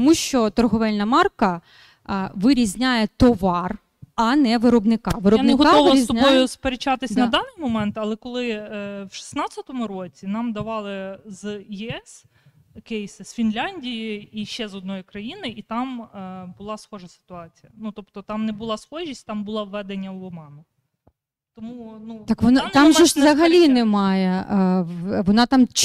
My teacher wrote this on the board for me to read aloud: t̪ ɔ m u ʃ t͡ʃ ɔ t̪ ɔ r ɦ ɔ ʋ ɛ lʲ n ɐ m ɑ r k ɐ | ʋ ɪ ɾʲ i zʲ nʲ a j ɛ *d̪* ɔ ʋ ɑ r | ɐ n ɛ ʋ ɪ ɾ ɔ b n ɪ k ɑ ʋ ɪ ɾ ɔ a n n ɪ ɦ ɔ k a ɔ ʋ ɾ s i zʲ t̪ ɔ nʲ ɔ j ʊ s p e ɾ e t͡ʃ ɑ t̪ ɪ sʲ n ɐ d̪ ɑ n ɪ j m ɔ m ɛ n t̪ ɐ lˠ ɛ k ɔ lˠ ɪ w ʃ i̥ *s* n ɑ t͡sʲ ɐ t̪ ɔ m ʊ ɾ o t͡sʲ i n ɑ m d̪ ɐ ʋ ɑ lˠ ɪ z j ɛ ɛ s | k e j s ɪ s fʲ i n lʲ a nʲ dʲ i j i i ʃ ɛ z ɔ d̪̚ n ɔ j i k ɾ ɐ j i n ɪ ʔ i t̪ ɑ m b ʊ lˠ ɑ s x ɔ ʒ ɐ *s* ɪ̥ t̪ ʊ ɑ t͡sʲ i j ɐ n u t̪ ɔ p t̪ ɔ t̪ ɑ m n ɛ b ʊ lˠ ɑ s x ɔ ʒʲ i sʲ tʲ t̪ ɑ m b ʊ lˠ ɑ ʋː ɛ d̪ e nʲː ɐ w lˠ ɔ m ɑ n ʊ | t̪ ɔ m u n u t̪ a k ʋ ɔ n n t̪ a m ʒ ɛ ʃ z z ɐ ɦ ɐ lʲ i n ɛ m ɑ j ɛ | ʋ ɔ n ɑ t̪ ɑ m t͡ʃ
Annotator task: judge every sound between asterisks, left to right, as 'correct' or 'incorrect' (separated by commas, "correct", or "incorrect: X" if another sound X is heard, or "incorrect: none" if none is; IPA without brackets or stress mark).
incorrect: t̪, correct, correct